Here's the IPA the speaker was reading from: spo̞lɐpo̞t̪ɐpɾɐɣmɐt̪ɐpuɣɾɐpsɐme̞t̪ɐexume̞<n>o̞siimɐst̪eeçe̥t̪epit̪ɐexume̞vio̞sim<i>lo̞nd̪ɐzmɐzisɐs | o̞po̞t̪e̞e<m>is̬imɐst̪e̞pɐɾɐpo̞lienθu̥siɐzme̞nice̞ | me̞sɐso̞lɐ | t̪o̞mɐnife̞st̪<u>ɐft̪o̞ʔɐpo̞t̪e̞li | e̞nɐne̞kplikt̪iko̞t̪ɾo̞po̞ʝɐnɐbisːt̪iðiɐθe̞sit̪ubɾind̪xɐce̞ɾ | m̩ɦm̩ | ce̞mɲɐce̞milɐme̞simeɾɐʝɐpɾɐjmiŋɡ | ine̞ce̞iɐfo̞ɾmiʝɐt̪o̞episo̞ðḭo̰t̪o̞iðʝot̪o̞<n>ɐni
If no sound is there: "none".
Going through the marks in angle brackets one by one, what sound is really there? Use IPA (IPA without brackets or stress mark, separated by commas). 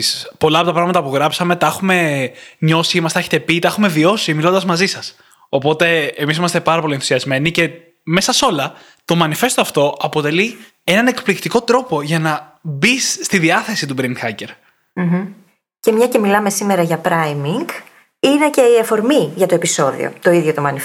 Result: ɲ, i, m, o, m